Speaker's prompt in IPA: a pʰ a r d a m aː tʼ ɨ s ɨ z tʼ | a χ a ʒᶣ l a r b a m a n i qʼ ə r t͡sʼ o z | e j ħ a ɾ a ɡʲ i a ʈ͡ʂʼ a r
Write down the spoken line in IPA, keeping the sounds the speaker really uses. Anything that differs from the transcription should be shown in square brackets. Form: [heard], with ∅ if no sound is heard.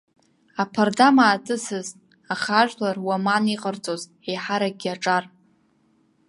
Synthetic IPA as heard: a pʰ a r d a m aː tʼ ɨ s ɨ z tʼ | a χ a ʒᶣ l a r [w] a m a n i qʼ ə r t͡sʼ o z | e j ħ a ɾ a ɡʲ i a ʈ͡ʂʼ a r